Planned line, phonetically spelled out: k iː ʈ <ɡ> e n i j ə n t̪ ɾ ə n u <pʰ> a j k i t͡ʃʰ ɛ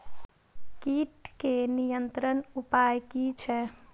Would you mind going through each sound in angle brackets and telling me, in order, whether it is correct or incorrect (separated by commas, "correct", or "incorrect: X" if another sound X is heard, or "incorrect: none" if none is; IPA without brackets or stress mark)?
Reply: incorrect: k, incorrect: p